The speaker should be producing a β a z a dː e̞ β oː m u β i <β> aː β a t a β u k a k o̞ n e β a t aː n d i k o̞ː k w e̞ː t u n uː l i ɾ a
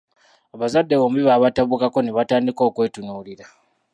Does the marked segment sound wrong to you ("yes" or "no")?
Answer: no